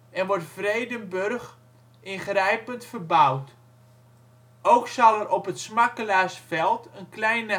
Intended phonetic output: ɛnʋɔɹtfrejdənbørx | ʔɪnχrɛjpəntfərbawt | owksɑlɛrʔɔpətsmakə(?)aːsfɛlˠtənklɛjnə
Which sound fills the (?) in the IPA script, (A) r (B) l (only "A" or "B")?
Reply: B